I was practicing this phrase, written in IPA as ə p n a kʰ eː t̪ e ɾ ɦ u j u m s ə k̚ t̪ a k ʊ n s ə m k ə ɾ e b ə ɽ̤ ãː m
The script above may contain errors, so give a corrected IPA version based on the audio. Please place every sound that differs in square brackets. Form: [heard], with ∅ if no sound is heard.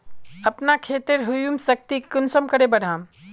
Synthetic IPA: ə p n a kʰ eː t̪ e ɾ ɦ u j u m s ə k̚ t̪ [i] k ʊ n s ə m k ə ɾ e b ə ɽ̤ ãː m